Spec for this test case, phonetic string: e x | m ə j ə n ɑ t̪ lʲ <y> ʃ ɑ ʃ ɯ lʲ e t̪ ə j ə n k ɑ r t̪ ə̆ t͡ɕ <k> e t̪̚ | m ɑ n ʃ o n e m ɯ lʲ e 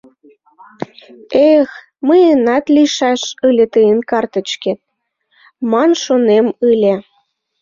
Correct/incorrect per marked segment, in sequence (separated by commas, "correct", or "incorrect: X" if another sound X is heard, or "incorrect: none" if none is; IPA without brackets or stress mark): incorrect: i, correct